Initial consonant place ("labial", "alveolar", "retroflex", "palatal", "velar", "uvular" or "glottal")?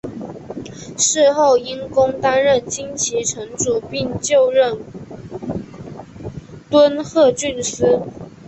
retroflex